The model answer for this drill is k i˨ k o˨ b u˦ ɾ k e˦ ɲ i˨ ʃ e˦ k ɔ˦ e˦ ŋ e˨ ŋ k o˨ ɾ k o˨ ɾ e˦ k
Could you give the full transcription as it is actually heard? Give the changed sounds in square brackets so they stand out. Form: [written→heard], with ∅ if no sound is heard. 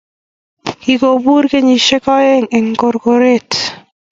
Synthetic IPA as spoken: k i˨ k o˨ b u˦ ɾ k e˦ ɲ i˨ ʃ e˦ k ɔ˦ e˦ ŋ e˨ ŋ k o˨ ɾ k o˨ ɾ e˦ [k→t]